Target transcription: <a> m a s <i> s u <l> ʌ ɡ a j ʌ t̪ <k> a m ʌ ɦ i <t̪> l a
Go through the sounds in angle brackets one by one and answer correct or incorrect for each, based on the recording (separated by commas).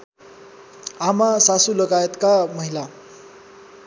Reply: correct, incorrect, correct, correct, incorrect